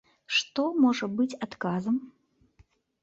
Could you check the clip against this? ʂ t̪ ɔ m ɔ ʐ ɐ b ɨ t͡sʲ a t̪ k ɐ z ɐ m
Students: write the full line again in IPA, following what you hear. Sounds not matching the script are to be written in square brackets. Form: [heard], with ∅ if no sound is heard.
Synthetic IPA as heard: ʂ t̪ ɔ m ɔ ʐ ɐ b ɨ t͡sʲ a t̪ k [a] z ɐ m